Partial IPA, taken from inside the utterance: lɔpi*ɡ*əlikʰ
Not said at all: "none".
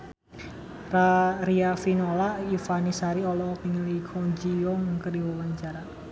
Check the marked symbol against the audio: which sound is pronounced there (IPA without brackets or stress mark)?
ŋ